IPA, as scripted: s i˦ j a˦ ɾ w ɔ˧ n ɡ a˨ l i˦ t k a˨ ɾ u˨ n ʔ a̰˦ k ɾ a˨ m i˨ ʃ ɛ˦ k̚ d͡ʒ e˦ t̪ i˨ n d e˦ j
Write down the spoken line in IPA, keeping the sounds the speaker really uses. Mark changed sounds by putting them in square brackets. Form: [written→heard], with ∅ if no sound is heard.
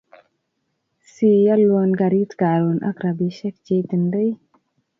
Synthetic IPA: s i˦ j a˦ [ɾ→l] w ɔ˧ n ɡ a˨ [l→ɾ] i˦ t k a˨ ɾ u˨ n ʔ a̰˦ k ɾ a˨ [m→b] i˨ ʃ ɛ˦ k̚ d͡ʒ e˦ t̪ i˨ n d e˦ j